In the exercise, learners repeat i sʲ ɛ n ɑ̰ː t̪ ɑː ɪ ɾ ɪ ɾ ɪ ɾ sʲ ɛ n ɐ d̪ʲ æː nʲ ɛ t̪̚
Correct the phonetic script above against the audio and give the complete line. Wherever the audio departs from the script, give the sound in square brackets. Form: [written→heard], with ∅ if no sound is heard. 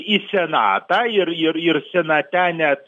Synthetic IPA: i sʲ ɛ n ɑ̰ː t̪ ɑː ɪ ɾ ɪ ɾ ɪ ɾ sʲ ɛ n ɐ [d̪ʲ→t̪ʲ] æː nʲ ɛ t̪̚